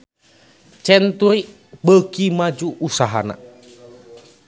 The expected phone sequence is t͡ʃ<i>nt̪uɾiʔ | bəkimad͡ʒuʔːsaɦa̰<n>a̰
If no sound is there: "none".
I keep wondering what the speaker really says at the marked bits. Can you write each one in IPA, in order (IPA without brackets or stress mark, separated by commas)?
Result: ɛ, n